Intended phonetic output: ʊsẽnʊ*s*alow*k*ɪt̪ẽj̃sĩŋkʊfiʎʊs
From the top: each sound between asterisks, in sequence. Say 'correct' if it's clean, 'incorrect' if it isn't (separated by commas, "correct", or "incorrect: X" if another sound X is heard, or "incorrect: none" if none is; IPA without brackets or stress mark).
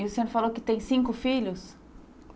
incorrect: f, correct